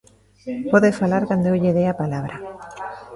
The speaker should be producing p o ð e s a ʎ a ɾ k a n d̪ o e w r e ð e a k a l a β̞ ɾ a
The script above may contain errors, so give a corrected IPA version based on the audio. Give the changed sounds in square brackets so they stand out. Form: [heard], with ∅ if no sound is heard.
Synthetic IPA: p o ð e [f] a [l] a ɾ k a n d̪ o e w [ʎ] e ð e a [p] a l a β̞ ɾ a